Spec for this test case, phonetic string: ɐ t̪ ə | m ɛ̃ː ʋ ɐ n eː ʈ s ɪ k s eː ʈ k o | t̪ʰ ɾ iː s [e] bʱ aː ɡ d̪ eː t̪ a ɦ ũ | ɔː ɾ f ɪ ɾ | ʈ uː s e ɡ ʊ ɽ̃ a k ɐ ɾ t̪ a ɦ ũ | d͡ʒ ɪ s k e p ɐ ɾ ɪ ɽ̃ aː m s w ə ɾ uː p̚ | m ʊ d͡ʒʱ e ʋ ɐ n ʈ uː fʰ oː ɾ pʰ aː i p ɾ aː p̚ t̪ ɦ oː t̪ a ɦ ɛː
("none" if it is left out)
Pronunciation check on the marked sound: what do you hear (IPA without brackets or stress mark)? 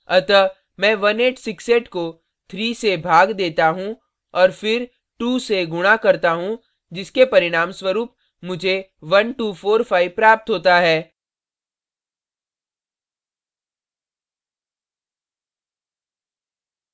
e